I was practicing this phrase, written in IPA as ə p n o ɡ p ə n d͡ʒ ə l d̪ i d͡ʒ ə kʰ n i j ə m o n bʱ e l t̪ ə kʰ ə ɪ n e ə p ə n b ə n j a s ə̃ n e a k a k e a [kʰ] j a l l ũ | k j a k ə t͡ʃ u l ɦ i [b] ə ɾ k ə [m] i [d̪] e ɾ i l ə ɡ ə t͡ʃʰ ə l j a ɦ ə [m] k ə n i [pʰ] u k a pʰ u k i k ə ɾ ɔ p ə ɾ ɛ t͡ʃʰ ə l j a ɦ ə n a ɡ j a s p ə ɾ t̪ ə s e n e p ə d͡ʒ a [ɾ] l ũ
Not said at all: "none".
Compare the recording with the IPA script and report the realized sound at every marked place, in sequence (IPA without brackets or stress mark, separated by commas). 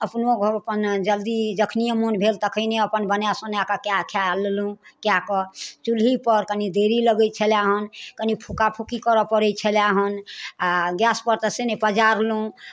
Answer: kʰ, p, n, d̪, n, pʰ, ɾ